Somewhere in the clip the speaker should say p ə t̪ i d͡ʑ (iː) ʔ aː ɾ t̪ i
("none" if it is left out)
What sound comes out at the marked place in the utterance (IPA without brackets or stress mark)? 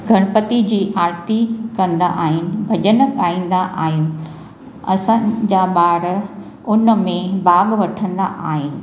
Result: iː